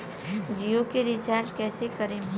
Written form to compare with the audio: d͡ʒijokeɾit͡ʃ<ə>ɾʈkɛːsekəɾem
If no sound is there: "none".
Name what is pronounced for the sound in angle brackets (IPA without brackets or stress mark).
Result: a